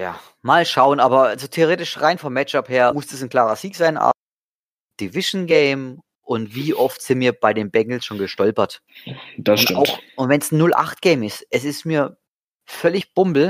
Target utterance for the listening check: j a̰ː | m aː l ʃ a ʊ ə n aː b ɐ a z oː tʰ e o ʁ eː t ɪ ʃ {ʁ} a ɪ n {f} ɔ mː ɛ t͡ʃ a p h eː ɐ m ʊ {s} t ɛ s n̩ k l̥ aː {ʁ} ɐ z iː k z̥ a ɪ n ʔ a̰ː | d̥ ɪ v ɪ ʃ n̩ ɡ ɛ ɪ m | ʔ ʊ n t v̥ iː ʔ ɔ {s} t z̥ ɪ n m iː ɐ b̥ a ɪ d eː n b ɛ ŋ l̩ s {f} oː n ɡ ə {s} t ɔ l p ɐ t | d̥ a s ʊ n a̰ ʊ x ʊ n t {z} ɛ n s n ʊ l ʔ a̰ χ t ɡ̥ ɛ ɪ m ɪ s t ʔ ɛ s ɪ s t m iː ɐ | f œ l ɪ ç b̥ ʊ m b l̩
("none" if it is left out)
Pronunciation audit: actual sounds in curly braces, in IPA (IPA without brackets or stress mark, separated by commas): ʁ, f, s, ʁ, f, ʃ, ʃ, v